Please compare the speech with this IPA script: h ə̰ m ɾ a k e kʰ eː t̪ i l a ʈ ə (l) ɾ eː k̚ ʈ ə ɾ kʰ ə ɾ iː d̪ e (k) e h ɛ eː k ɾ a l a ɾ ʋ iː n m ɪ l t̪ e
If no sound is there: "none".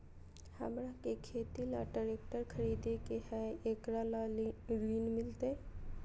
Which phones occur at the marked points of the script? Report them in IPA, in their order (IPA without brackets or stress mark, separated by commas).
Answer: none, k